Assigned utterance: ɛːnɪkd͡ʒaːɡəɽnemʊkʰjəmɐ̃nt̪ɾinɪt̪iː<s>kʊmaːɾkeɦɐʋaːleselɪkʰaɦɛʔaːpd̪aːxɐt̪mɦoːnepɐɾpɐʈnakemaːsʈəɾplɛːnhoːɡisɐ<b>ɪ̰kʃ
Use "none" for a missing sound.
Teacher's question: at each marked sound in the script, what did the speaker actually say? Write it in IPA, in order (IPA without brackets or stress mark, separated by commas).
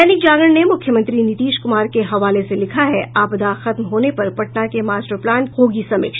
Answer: ʃ, m